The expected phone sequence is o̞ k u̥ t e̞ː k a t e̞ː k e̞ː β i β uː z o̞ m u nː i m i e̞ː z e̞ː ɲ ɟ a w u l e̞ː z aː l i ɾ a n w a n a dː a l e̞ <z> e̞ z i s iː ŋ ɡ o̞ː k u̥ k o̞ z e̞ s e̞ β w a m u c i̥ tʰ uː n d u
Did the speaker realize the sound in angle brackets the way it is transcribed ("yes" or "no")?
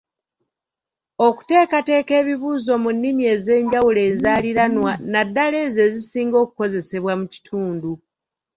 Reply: yes